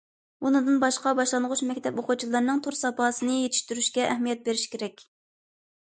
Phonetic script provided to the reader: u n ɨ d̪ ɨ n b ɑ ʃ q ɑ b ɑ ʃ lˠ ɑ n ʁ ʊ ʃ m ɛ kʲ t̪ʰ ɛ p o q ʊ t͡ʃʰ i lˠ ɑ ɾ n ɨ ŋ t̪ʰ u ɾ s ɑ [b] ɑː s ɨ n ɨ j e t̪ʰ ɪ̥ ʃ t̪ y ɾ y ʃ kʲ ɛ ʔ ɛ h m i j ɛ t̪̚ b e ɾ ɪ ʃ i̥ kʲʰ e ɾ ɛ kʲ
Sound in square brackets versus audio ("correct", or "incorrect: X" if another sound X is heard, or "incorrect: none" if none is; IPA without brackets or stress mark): incorrect: p